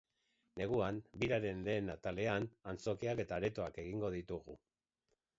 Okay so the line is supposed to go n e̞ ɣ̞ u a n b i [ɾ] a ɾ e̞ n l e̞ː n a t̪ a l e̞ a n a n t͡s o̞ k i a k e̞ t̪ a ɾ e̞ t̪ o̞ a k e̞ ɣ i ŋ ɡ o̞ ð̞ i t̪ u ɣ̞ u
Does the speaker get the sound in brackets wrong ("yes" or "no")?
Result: no